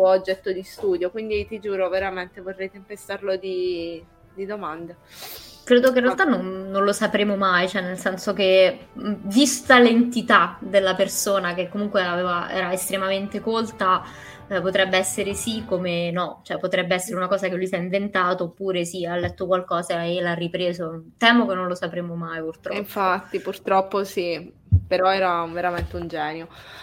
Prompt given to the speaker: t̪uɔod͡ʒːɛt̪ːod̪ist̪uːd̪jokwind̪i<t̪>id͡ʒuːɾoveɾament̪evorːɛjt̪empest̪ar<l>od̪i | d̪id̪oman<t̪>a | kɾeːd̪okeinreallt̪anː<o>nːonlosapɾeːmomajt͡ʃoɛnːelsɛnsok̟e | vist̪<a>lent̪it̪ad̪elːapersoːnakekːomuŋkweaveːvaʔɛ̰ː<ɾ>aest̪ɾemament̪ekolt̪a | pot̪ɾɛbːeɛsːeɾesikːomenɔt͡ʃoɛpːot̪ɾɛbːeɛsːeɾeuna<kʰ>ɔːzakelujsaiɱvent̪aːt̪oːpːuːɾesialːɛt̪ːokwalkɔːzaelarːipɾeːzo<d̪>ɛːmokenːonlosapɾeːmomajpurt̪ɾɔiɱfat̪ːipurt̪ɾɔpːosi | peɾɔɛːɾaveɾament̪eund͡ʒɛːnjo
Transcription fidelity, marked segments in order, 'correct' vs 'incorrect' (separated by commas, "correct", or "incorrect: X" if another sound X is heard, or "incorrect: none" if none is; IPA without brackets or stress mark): correct, correct, incorrect: d̪, correct, correct, correct, incorrect: k, incorrect: t̪